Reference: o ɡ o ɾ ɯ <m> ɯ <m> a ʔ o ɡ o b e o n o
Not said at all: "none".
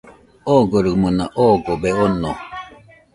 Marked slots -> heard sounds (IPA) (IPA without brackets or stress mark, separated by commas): m, n